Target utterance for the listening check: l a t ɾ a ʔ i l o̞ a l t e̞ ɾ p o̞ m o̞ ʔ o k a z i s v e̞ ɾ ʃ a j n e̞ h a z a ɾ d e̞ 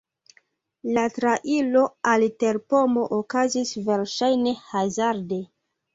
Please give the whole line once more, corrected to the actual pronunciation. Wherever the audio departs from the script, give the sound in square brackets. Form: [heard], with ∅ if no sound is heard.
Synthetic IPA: l a t ɾ a ʔ i l o̞ a l t e̞ ɾ p o̞ m o̞ ʔ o k a z i s v e̞ ɾ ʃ a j n e̞ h a z a ɾ d e̞